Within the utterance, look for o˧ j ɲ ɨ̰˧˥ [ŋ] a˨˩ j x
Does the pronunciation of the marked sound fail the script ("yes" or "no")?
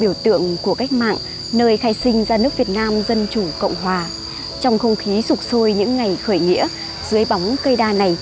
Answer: yes